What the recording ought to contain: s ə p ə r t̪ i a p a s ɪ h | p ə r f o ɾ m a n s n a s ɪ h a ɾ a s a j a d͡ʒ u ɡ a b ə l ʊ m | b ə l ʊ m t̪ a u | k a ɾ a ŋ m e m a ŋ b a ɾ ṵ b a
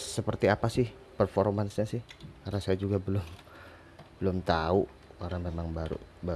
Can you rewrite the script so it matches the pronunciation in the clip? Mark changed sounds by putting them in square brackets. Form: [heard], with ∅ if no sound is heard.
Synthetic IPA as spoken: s ə p ə r t̪ i a p a s ɪ h | p ə r f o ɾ m a n s [ɲ] a s ɪ h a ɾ a s a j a d͡ʒ u ɡ a b ə l ʊ m | b ə l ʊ m t̪ a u | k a ɾ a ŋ m e m a ŋ b a ɾ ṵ b a